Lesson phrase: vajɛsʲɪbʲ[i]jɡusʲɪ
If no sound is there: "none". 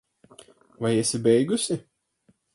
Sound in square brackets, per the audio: ɛ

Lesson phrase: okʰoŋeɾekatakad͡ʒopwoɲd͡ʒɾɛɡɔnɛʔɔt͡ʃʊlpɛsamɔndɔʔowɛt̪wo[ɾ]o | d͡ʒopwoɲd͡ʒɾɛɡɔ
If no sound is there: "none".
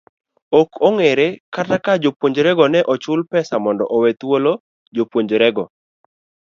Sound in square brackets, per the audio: l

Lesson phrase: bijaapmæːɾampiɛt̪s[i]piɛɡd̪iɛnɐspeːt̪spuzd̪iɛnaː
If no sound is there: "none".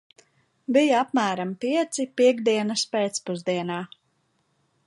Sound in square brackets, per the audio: i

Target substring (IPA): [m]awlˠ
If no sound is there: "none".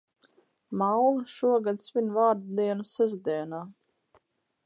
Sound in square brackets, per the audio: m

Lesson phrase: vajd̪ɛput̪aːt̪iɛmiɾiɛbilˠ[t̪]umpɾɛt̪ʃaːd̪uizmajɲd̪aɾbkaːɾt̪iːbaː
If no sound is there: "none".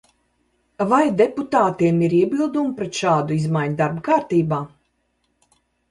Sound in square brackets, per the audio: d̪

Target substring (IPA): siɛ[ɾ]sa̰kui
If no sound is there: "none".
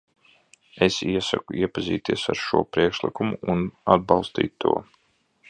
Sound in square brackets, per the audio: none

